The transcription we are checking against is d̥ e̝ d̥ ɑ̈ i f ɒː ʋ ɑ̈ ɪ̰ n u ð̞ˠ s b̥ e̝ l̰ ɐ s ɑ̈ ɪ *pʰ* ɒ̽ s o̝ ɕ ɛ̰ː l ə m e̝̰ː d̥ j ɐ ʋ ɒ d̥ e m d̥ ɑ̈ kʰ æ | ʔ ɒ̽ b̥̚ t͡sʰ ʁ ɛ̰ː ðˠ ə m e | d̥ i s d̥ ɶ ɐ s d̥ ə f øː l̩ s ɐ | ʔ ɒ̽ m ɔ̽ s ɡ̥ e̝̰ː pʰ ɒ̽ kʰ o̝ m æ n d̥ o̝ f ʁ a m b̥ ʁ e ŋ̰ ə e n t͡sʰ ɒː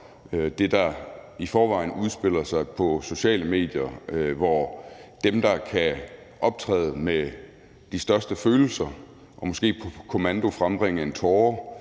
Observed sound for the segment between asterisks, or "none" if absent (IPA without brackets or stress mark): pʰ